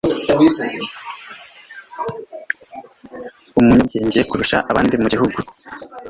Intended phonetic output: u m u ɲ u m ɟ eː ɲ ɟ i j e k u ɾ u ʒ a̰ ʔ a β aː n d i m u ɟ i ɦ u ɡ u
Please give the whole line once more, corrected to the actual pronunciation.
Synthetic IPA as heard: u m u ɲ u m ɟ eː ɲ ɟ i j e k u ɾ u ʃ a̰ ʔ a β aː n d i m u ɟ i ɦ u ɡ u